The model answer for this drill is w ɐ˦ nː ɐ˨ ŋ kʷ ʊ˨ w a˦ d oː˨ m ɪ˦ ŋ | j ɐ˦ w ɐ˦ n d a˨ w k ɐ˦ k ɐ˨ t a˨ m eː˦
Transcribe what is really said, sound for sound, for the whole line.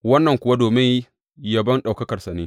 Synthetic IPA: w ɐ˦ nː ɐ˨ ŋ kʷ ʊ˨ w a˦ d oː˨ m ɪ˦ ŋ | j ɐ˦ b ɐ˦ n ɗ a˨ w k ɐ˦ k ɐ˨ s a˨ n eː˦

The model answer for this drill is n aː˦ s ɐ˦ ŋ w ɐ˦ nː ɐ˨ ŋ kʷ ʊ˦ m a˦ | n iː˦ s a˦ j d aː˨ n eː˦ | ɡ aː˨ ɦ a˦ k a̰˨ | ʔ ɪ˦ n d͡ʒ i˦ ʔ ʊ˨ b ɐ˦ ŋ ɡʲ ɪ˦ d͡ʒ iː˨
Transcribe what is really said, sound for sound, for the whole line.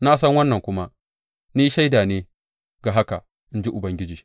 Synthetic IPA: n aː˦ s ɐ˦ ŋ w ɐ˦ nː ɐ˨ ŋ kʷ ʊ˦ m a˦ | n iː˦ ʃ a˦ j d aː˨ n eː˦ | ɡ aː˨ ɦ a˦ k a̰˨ | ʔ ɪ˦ n d͡ʒ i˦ ʔ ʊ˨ b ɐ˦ ŋ ɡʲ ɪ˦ d͡ʒ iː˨

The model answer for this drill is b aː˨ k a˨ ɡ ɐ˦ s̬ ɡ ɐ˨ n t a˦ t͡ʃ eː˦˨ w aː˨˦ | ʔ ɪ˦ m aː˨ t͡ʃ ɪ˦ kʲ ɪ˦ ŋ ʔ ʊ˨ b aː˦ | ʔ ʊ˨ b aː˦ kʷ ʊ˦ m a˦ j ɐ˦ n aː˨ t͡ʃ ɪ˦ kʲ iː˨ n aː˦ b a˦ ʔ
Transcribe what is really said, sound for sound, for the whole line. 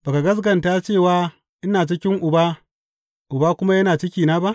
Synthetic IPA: b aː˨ k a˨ ɡ ɐ˦ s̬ ɡ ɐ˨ n t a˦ t͡ʃ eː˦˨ w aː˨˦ | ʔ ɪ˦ n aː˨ t͡ʃ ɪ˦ kʲ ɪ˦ ŋ ʔ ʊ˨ b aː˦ | ʔ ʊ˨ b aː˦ kʷ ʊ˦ m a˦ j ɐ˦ n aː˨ t͡ʃ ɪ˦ kʲ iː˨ n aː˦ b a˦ ʔ

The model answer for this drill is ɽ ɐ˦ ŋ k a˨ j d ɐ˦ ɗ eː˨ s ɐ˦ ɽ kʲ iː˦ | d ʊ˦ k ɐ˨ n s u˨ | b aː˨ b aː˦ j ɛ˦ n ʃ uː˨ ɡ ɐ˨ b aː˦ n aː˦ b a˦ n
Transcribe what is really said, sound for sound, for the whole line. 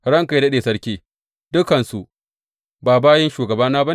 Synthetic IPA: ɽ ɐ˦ ŋ k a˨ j d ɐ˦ ɗ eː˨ s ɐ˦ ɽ kʲ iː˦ | d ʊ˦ k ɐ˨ n s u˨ | b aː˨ b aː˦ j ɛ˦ n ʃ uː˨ ɡ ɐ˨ b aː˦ n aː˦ b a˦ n

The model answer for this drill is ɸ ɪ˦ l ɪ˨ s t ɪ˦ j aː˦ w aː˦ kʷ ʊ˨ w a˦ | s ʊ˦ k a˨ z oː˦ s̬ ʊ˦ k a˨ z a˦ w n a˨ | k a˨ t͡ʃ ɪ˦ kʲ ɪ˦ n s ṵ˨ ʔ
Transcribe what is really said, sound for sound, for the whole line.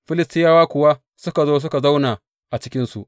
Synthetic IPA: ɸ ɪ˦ l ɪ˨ s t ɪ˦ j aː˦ w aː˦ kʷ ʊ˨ w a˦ | s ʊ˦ k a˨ z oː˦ s̬ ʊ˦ k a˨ z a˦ w n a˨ | ʔ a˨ t͡ʃ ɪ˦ kʲ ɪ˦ n s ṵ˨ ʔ

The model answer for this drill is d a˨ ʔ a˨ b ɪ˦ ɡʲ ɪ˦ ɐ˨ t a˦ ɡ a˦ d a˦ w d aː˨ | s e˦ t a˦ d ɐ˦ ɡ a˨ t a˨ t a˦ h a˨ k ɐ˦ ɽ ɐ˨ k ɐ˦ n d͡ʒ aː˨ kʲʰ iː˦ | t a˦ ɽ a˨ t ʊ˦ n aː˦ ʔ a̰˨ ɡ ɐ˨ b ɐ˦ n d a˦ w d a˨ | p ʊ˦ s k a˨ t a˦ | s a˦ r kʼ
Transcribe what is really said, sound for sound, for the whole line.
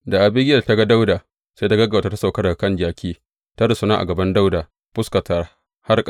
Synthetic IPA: d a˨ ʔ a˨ b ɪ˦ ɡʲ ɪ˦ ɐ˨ t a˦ ɡ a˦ d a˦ w d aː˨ | s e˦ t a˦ ɡ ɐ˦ ɡ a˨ t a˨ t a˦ s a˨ k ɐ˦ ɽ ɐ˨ k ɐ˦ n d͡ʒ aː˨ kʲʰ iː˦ | t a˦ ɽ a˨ s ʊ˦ n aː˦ ʔ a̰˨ ɡ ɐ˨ b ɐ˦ n d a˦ w d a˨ | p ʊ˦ s k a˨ t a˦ | h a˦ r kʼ

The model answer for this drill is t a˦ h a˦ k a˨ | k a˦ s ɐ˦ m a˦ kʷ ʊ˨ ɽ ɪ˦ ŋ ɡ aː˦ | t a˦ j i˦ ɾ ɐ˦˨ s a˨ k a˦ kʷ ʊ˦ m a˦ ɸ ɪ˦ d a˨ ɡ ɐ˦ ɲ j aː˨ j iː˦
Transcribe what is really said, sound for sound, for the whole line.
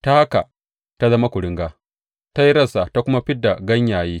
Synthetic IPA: t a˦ h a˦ k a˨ | t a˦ z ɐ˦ m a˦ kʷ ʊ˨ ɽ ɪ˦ ŋ ɡ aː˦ | t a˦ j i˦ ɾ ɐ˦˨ s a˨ t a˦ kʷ ʊ˦ m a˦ ɸ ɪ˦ d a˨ ɡ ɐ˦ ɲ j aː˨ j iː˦

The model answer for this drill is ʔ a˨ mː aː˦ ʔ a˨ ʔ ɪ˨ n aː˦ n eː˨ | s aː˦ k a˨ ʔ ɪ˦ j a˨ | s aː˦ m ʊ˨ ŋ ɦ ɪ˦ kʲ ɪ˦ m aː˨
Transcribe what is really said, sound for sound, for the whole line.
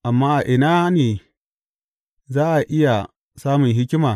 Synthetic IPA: ʔ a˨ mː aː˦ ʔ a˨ ʔ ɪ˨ n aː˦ n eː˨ | z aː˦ ʔ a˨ ʔ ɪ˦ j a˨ | s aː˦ m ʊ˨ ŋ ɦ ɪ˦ kʲ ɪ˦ m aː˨

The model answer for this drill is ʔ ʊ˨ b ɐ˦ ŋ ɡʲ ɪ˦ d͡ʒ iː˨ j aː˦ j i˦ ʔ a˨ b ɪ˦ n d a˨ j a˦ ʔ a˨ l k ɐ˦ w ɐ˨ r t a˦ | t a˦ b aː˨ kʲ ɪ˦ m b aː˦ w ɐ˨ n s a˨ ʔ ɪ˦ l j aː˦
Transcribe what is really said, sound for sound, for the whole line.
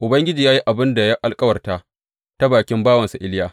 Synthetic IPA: ʔ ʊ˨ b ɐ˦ ŋ ɡʲ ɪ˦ d͡ʒ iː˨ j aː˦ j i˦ ʔ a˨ b ɪ˦ n d a˨ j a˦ ʔ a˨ l kʼ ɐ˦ w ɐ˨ r t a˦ | t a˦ b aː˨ kʲ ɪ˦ m b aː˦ w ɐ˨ n s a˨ ʔ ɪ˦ l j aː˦

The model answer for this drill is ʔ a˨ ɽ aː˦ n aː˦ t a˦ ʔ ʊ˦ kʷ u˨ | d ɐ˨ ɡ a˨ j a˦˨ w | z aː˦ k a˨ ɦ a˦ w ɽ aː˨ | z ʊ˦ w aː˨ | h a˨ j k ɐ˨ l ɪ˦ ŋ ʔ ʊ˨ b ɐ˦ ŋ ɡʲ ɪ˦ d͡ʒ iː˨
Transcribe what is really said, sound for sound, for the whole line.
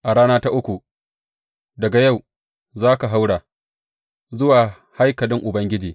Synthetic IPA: ʔ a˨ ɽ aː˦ n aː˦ t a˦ ʔ ʊ˦ kʷ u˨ | d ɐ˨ ɡ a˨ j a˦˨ w | z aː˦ k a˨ ɦ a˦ w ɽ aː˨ | z ʊ˦ w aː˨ | h a˦ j k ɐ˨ l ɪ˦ ŋ ʔ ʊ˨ b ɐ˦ ŋ ɡʲ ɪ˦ d͡ʒ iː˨

